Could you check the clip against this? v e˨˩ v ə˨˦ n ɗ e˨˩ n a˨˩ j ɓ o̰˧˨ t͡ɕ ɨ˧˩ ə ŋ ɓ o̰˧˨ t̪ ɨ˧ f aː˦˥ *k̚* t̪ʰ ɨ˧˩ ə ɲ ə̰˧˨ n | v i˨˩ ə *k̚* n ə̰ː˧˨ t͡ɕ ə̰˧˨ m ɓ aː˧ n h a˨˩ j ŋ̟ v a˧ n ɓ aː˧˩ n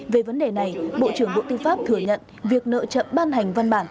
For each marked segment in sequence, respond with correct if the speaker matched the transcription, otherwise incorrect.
incorrect, correct

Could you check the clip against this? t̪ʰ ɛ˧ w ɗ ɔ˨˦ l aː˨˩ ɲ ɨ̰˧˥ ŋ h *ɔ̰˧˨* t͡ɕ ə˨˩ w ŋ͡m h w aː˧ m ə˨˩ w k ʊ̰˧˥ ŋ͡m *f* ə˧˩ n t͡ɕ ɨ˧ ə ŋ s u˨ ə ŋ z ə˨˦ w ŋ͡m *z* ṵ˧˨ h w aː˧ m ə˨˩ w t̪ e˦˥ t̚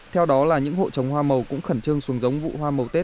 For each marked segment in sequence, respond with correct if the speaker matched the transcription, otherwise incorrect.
incorrect, incorrect, incorrect

